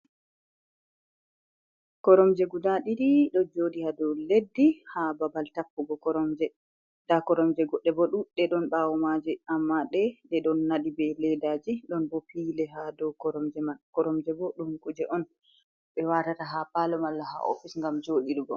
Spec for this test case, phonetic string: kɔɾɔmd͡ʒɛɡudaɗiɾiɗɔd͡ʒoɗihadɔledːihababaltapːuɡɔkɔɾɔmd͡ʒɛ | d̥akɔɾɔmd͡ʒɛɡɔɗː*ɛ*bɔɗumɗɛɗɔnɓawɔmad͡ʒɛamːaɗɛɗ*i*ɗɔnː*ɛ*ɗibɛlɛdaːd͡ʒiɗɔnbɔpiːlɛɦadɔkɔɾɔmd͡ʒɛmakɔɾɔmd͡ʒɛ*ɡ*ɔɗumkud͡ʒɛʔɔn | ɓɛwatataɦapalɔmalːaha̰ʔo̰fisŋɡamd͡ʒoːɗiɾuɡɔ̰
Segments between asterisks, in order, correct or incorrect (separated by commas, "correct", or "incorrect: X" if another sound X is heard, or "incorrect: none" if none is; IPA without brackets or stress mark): correct, incorrect: ɛ, incorrect: a, incorrect: b